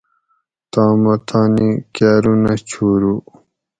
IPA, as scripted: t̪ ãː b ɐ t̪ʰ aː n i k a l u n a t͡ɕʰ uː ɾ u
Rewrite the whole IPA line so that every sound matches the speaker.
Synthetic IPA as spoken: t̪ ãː m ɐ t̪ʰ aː n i k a ɾ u n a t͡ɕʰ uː ɾ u